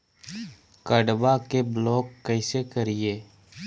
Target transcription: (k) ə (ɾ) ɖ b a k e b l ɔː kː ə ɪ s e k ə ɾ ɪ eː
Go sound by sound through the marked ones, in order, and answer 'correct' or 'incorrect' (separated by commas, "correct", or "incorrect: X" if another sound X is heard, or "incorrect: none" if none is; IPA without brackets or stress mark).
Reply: correct, incorrect: none